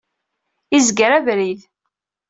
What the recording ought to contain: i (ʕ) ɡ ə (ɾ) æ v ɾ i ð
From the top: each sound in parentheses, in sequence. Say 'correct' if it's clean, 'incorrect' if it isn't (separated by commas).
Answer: incorrect, correct